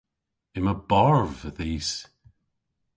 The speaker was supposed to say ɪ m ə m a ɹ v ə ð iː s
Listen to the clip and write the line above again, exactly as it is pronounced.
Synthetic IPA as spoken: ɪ m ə b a ɹ v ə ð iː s